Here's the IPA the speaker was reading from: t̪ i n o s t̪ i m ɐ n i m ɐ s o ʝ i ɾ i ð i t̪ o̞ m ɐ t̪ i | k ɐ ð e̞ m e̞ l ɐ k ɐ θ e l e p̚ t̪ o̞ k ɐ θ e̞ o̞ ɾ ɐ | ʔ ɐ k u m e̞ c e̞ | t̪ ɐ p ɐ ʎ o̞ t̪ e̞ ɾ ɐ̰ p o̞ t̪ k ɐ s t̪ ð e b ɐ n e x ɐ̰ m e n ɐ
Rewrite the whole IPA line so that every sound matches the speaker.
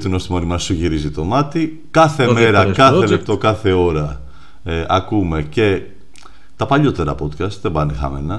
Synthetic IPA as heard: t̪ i n o s t̪ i m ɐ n i m ɐ s u ʝ i ɾ i z i t̪ o̞ m ɐ t̪ i | k ɐ θ e̞ m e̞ ɾ ɐ k ɐ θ e l e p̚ t̪ o̞ k ɐ θ e̞ o̞ ɾ ɐ | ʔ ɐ k u m e̞ c e̞ | t̪ ɐ p ɐ ʎ o̞ t̪ e̞ ɾ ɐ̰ p o̞ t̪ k ɐ s t̪ ð e b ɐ n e x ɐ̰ m e n ɐ